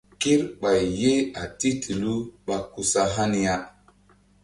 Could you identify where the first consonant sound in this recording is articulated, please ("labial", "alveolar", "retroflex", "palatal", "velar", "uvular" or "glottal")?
velar